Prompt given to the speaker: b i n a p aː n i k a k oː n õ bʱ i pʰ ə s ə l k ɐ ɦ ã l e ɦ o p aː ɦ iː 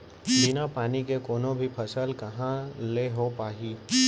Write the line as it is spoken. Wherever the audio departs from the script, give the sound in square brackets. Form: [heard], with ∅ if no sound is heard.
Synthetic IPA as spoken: b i n a p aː n i k [e] k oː n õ bʱ i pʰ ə s ə l k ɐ ɦ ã l e ɦ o p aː ɦ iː